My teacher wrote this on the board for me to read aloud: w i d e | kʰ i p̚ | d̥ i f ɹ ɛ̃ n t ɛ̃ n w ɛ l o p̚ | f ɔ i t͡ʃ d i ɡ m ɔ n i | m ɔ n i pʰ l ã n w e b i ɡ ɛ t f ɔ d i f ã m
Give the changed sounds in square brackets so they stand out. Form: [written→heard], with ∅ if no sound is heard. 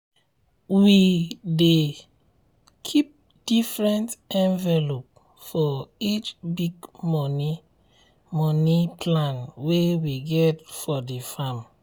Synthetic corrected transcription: w i d e | kʰ i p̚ | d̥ i f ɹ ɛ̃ n t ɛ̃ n [w→v] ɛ l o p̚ | f ɔ i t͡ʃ [d→b] i ɡ m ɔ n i | m ɔ n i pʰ l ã n w e [b→w] i ɡ ɛ t f ɔ d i f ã m